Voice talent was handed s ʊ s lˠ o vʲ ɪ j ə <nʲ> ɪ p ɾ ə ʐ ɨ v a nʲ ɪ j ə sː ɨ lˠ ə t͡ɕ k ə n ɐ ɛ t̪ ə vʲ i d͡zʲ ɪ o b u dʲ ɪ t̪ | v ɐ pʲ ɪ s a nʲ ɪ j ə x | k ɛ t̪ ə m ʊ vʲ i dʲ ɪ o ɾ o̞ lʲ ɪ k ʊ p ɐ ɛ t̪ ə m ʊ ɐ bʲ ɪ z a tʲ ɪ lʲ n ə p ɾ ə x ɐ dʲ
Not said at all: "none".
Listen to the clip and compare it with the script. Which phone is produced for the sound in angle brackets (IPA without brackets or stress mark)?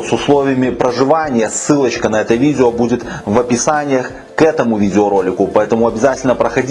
mʲ